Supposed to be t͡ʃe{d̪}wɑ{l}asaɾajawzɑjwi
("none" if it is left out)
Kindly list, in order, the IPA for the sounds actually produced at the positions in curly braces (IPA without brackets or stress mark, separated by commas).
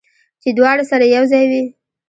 d̪, ɽ